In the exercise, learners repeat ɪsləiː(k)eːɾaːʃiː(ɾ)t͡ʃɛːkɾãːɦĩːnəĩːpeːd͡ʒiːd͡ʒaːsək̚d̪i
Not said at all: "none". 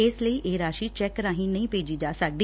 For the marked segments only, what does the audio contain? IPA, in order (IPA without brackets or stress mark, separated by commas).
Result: ʔ, none